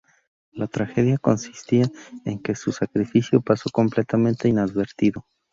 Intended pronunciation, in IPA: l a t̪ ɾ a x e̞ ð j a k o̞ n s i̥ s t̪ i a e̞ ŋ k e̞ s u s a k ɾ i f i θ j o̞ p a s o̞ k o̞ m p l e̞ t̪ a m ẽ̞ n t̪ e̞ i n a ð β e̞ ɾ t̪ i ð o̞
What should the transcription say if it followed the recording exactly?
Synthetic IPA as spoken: l a t̪ ɾ a x e̞ ð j a k o̞ n s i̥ s t̪ i a e̞ ŋ k e̞ s u s a k ɾ i f i s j o̞ p a s o̞ k o̞ m p l e̞ t̪ a m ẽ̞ n t̪ e̞ i n a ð β e̞ ɾ t̪ i ð o̞